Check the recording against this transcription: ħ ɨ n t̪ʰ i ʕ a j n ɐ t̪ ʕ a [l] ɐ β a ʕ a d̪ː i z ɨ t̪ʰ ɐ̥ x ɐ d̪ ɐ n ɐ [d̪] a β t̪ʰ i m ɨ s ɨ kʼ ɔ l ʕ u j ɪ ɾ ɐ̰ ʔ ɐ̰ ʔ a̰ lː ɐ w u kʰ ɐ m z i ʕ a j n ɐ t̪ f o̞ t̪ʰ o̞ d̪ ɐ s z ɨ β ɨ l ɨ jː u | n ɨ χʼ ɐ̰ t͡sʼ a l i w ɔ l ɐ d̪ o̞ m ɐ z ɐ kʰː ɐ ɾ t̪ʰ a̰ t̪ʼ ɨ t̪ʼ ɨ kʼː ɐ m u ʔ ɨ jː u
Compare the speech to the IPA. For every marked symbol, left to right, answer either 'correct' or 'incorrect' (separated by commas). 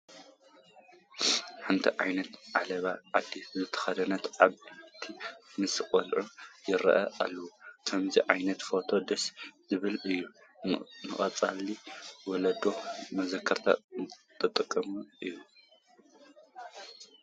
correct, incorrect